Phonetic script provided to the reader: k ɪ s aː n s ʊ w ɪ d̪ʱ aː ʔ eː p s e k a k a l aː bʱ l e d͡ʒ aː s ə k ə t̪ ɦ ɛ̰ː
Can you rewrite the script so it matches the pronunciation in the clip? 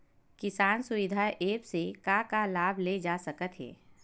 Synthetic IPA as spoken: k ɪ s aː n s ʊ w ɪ d̪ʱ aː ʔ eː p s e k a k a l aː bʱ l e d͡ʒ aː s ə k ə t̪ ɦ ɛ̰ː